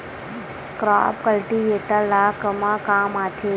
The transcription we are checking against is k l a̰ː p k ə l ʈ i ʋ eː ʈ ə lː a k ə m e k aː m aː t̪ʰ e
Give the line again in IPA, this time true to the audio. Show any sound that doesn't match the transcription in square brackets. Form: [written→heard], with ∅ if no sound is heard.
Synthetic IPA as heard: k [l→ɾ] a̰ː p k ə l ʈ i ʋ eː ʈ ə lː a k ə m [e→a] k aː m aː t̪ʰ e